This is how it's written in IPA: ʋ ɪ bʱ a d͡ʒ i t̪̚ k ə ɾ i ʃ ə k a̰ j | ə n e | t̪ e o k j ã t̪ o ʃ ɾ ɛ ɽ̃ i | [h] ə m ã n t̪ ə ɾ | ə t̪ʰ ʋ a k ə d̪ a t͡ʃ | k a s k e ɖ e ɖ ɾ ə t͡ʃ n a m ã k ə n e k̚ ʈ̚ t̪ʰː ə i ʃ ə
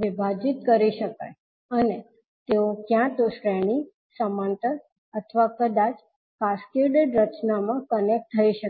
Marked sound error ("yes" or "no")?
yes